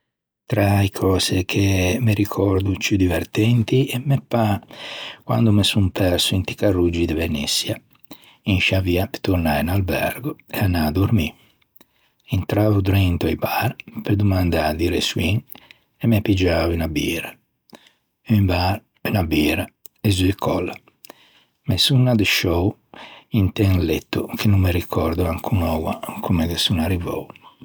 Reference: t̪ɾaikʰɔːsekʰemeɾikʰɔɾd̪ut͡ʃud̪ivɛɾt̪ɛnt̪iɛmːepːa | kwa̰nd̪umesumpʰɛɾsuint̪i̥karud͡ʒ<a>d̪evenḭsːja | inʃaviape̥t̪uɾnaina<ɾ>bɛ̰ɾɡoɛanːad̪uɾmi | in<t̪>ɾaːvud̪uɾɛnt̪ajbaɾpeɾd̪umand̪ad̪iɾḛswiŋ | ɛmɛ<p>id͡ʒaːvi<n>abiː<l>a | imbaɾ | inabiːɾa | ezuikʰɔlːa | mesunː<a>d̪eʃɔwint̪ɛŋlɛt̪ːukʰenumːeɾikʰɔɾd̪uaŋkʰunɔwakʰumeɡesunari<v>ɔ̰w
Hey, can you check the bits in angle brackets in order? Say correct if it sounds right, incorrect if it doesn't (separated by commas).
incorrect, incorrect, correct, correct, correct, incorrect, correct, correct